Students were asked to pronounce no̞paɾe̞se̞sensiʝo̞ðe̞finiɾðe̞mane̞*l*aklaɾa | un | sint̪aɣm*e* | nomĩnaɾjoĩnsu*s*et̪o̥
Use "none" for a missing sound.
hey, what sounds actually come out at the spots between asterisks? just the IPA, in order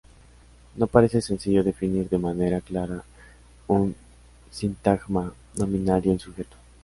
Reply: ɾ, a, x

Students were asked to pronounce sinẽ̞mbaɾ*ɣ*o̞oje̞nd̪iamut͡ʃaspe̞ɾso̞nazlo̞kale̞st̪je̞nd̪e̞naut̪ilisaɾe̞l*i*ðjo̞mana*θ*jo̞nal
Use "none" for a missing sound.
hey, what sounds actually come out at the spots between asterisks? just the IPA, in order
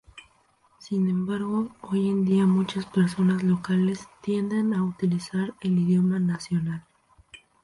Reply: ɣ, i, s

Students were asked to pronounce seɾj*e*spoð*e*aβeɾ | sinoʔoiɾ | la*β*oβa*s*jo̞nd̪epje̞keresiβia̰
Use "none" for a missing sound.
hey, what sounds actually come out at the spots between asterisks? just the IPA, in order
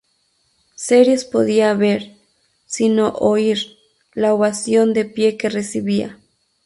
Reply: e, i, none, s

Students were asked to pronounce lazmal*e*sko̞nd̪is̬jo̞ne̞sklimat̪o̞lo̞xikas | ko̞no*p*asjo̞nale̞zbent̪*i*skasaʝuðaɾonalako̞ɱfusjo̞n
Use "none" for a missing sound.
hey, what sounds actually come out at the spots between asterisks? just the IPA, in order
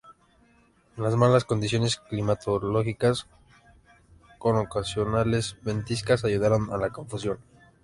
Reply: a, k, i

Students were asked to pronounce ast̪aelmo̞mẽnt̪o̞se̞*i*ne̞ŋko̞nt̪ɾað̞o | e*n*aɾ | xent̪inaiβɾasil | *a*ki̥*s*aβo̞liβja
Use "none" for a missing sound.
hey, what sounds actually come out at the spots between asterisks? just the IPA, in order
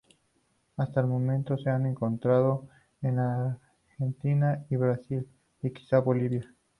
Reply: a, n, i, s

